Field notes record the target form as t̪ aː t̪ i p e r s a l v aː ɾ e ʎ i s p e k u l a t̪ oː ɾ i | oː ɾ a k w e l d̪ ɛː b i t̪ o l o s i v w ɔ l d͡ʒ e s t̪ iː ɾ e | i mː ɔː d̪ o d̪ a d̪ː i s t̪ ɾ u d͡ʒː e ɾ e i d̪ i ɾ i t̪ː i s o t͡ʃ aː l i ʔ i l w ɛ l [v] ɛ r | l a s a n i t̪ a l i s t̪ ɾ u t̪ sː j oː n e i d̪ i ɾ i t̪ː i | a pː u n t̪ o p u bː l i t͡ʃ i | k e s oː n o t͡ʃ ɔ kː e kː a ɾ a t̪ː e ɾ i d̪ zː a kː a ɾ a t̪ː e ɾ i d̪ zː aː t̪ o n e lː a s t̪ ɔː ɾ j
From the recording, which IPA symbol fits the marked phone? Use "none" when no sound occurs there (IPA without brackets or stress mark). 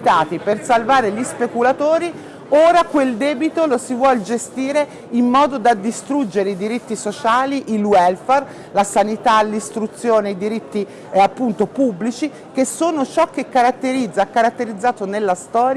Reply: f